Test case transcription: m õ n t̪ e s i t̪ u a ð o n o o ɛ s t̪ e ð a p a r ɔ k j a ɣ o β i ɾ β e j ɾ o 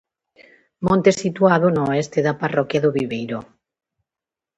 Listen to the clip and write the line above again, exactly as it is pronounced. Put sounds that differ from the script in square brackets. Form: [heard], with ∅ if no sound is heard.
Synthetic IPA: m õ n t̪ e s i t̪ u a ð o n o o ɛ s t̪ e ð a p a r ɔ k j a [ð] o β i [∅] β e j ɾ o